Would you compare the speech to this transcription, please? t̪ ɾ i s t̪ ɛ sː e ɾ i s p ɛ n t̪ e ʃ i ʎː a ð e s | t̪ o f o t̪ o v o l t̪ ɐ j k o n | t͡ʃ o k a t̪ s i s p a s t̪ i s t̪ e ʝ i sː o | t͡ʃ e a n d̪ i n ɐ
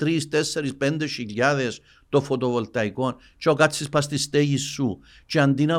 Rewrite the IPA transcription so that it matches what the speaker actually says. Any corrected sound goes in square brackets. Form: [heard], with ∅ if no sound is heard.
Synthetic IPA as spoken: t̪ ɾ i s t̪ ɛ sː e ɾ i s p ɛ n [d̪] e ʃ i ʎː a ð e s | t̪ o f o t̪ o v o l t̪ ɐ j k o n | t͡ʃ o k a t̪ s i s p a s t̪ i s t̪ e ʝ i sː [u] | t͡ʃ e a n d̪ i n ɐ